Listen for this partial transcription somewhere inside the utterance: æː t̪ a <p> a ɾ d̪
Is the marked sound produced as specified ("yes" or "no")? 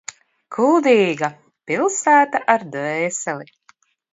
no